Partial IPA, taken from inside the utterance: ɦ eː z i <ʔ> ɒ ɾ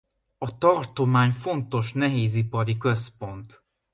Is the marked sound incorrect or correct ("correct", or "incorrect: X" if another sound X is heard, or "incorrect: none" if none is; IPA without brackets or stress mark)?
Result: incorrect: p